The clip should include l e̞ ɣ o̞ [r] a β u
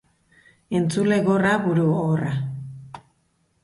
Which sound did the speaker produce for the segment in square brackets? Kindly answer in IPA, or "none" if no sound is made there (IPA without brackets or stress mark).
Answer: r